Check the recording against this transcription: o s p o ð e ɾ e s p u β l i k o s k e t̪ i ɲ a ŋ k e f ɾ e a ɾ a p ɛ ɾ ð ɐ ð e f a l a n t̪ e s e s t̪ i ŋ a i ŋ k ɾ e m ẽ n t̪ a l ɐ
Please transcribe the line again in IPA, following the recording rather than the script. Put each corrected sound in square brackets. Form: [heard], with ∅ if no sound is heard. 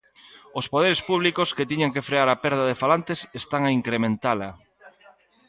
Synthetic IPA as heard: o s p o ð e ɾ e s p u β l i k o s k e t̪ i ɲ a ŋ k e f ɾ e a ɾ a p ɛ ɾ ð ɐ ð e f a l a n t̪ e s e s t̪ [a] ŋ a i ŋ k ɾ e m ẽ n t̪ a l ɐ